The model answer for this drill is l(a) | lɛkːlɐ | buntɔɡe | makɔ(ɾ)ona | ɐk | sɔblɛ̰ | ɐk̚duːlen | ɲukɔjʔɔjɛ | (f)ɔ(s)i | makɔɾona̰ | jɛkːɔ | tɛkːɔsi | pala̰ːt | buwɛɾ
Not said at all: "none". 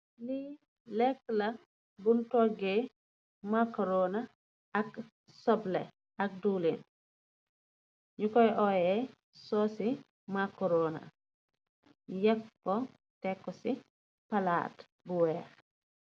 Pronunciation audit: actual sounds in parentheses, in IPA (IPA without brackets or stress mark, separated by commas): i, ɾ, s, s